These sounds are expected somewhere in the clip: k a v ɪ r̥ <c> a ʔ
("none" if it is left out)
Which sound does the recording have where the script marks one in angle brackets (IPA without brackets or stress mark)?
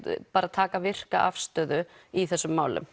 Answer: k